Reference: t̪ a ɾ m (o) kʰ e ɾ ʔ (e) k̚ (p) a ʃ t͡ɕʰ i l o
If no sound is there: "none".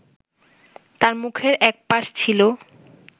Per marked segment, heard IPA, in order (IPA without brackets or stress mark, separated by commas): u, ɛ, p